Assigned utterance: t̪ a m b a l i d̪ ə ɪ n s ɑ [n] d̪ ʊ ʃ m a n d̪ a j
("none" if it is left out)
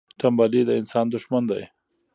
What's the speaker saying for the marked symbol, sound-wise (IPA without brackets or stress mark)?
n